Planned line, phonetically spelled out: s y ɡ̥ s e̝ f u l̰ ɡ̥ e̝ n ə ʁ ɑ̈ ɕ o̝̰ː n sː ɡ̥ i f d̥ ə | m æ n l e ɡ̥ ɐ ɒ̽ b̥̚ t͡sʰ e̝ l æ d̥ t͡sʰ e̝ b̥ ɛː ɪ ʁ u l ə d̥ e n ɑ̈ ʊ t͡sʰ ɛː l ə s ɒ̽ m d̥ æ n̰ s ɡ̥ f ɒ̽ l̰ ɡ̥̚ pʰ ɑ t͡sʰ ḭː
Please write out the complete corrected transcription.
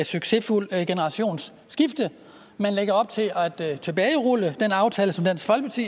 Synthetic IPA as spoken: s y ɡ̥ s e̝ f u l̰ ɡ̥ e̝ n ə ʁ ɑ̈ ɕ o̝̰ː n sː ɡ̥ i f d̥ ə | m æ n l e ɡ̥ ɐ ɒ̽ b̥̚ t͡sʰ e̝ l æ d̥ t͡sʰ e̝ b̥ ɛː ɪ ʁ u l ə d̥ e n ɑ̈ ʊ t͡sʰ ɛː l ə s ɒ̽ m d̥ æ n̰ s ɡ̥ f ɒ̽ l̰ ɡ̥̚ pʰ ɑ t͡sʰ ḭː